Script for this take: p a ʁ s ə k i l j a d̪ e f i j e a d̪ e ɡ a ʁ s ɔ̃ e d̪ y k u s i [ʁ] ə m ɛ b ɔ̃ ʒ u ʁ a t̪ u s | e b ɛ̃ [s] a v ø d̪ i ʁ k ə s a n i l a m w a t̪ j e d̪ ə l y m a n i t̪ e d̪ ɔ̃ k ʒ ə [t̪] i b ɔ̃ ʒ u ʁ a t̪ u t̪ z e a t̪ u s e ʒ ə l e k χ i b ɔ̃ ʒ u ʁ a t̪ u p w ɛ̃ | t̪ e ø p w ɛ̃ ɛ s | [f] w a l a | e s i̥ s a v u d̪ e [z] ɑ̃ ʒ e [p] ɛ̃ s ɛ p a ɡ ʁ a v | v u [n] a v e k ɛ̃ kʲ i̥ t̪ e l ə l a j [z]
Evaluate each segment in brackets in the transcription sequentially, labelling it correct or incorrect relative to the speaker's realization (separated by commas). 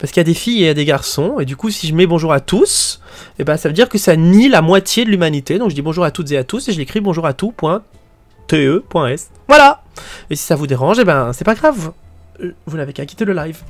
incorrect, correct, incorrect, incorrect, incorrect, incorrect, correct, incorrect